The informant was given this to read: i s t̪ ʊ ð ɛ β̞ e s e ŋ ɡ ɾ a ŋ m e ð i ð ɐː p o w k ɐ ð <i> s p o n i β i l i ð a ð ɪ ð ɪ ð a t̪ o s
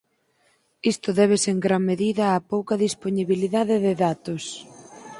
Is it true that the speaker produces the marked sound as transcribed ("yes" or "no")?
yes